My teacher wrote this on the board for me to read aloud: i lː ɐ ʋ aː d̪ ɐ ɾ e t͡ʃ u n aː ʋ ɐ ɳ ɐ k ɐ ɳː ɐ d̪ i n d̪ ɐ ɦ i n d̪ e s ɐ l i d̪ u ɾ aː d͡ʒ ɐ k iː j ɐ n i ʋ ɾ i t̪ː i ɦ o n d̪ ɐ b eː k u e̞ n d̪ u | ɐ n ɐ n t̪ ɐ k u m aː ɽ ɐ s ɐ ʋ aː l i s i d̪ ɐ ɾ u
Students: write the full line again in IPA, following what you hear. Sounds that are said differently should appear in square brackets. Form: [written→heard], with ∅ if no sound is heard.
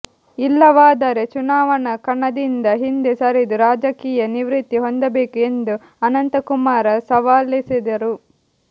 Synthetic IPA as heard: i lː ɐ ʋ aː d̪ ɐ ɾ e t͡ʃ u n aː ʋ ɐ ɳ ɐ k ɐ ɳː ɐ d̪ i n d̪ ɐ ɦ i n d̪ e s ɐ [l→ɾ] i d̪ u ɾ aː d͡ʒ ɐ k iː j ɐ n i ʋ ɾ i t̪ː i ɦ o n d̪ ɐ b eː k u e̞ n d̪ u | ɐ n ɐ n t̪ ɐ k u m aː [ɽ→ɾ] ɐ s ɐ ʋ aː l i s i d̪ ɐ ɾ u

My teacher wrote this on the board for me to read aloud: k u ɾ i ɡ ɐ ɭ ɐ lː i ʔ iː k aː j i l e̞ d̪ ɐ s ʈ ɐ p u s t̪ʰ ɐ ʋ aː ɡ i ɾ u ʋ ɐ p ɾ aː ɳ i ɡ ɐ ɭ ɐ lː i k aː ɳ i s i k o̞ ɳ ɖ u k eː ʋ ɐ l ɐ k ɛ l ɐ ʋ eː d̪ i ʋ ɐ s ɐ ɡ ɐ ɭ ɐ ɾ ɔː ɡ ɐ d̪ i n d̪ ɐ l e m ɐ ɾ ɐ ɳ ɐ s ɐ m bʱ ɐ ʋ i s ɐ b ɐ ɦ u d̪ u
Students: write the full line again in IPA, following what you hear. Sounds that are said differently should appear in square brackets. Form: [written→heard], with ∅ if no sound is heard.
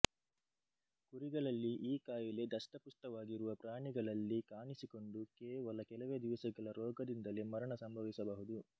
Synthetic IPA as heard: k u ɾ i ɡ ɐ ɭ ɐ lː i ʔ iː k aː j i l e̞ d̪ ɐ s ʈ ɐ p u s [t̪ʰ→t̪] ɐ ʋ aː ɡ i ɾ u ʋ ɐ p ɾ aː ɳ i ɡ ɐ ɭ ɐ lː i k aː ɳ i s i k o̞ ɳ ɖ u k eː ʋ ɐ l ɐ k ɛ l ɐ ʋ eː d̪ i ʋ ɐ s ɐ ɡ ɐ ɭ ɐ ɾ ɔː ɡ ɐ d̪ i n d̪ ɐ l e m ɐ ɾ ɐ ɳ ɐ s ɐ m bʱ ɐ ʋ i s ɐ b ɐ ɦ u d̪ u

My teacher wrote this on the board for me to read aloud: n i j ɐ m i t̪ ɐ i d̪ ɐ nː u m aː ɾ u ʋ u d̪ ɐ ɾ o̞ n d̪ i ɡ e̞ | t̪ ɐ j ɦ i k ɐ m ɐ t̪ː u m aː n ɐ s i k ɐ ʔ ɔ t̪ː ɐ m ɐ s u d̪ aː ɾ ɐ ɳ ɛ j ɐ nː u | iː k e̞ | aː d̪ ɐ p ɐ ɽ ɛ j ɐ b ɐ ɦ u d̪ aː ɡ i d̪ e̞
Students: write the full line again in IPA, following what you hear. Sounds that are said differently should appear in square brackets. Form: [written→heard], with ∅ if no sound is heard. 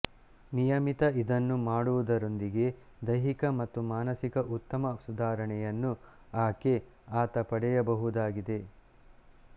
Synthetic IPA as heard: n i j ɐ m i t̪ ɐ i d̪ ɐ nː u m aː [ɾ→ɽ] u ʋ u d̪ ɐ ɾ o̞ n d̪ i ɡ e̞ | [t̪→d̪] ɐ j ɦ i k ɐ m ɐ t̪ː u m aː n ɐ s i k ɐ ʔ [ɔ→u] t̪ː ɐ m ɐ s u d̪ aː ɾ ɐ ɳ ɛ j ɐ nː u | [iː→aː] k e̞ | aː [d̪→t̪] ɐ p ɐ ɽ ɛ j ɐ b ɐ ɦ u d̪ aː ɡ i d̪ e̞

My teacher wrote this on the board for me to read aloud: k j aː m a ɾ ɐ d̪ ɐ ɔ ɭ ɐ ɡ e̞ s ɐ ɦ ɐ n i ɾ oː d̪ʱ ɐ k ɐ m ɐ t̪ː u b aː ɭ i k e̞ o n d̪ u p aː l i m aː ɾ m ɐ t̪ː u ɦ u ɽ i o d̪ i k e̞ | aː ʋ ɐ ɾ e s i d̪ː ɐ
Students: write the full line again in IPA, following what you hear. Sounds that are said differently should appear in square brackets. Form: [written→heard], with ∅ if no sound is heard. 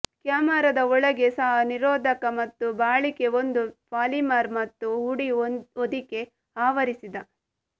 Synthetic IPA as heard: k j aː m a ɾ ɐ d̪ ɐ ɔ ɭ ɐ ɡ e̞ s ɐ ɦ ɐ n i ɾ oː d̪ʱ ɐ k ɐ m ɐ t̪ː u b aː ɭ i k e̞ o n d̪ u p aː l i m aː ɾ m ɐ t̪ː u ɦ u ɽ i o d̪ i k e̞ | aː ʋ ɐ ɾ [e→i] s i [d̪ː→d̪] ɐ

